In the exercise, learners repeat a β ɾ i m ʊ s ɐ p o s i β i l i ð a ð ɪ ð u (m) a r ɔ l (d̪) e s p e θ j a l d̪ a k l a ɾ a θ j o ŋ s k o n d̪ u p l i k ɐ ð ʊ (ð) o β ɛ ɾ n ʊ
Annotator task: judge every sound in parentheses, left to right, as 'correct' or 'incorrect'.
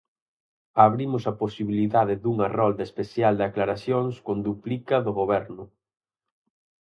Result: incorrect, correct, incorrect

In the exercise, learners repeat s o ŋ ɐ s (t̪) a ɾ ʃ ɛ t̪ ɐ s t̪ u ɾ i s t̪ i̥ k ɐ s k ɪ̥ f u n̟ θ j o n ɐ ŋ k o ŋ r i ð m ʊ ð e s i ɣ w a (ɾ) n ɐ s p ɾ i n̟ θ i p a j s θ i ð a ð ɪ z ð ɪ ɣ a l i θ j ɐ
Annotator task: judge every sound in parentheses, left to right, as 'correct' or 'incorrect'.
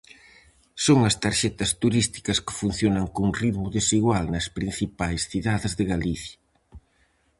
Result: correct, incorrect

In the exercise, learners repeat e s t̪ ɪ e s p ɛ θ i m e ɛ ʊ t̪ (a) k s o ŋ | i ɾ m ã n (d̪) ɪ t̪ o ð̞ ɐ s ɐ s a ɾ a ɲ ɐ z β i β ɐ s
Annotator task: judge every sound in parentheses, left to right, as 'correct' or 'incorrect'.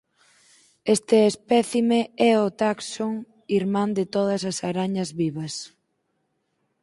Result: correct, correct

